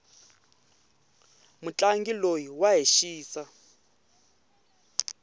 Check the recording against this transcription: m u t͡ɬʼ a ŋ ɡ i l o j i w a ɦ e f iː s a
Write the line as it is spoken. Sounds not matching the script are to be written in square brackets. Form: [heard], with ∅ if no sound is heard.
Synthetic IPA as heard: m u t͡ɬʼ a ŋ ɡ i l o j i w a ɦ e [ʃ] iː s a